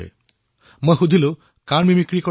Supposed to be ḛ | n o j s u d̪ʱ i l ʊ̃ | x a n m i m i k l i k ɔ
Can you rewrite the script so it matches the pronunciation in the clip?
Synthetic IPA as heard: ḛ | m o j x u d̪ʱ i l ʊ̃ | k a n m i m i k ɹ i k ɔ